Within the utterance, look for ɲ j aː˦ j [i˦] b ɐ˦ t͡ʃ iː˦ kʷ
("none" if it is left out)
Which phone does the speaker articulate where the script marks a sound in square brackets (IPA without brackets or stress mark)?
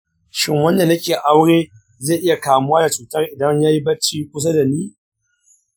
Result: i˦